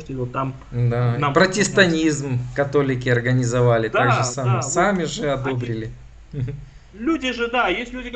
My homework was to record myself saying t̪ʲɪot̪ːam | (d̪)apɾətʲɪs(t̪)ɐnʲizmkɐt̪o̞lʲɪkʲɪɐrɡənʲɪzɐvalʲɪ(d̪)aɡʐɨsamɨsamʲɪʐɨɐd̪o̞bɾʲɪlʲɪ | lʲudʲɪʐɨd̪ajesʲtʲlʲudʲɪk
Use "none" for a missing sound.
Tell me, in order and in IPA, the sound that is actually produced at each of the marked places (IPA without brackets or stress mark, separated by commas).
d̪, t̪, t̪